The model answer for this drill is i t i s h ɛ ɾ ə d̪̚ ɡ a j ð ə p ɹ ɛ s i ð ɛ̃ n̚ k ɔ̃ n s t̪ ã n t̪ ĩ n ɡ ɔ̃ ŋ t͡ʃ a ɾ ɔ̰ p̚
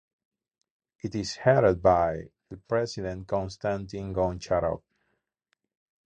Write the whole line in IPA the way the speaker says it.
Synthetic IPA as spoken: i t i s h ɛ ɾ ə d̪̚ b a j ð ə p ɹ ɛ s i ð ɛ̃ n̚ k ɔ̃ n s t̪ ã n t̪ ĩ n ɡ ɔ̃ n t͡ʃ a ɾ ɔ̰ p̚